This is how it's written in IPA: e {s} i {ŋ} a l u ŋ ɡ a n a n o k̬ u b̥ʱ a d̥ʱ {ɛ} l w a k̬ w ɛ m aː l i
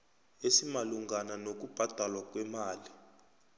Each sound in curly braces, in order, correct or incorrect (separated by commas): correct, incorrect, incorrect